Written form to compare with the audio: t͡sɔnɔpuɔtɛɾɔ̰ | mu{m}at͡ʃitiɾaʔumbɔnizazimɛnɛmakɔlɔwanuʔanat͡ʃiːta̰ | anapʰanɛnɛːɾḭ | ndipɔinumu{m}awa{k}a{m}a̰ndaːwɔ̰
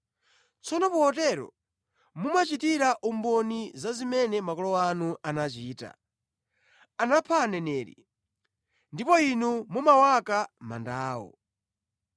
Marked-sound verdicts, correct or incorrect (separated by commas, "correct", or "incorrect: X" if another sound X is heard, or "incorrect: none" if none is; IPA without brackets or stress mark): correct, correct, correct, correct